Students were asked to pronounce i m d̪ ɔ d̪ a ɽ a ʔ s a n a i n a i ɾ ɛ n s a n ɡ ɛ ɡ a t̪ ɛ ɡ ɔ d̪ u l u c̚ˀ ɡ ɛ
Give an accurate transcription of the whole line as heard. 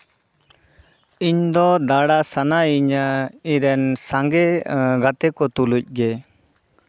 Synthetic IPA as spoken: i ɲ d̪ ɔ d̪ a ɽ a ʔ s a n a i ɲ a i ɾ ɛ n s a ŋ ɡ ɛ ɡ a t̪ ɛ k ɔ t̪ u l u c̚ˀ ɡ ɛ